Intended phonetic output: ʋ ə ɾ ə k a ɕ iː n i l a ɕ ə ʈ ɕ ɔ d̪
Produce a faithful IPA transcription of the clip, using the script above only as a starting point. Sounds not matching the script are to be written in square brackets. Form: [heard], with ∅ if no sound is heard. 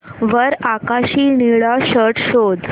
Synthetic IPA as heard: ʋ ə ɾ [a] k a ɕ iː n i [ɭ] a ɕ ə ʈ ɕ [o] d̪